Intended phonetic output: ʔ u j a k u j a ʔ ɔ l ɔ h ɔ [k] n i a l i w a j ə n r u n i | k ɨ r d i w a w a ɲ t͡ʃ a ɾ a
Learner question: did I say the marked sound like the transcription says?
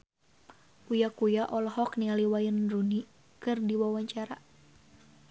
yes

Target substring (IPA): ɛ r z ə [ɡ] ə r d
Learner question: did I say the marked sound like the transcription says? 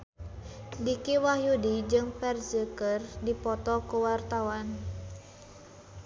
no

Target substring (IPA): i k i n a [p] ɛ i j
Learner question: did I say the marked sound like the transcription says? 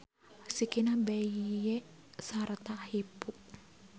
no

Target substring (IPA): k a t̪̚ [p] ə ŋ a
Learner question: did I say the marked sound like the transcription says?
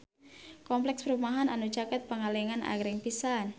yes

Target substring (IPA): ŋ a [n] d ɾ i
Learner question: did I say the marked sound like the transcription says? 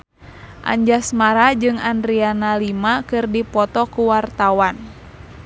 yes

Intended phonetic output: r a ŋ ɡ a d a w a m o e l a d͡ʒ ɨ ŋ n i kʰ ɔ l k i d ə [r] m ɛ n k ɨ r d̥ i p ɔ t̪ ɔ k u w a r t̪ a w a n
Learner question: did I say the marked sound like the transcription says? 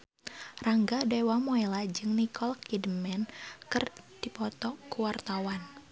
no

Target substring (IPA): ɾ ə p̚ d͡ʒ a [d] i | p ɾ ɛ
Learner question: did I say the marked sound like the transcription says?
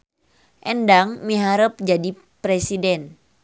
yes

